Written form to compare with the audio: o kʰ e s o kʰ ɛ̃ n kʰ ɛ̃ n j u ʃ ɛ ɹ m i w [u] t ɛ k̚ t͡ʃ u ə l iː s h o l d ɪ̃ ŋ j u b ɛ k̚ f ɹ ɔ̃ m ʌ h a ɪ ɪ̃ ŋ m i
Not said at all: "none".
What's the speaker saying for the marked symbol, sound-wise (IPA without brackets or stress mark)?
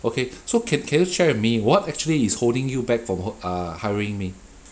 ɔ